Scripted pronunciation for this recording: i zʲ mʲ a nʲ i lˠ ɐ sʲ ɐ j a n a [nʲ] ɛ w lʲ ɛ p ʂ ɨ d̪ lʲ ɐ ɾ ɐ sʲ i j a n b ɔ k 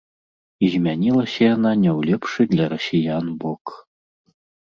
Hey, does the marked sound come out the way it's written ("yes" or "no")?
yes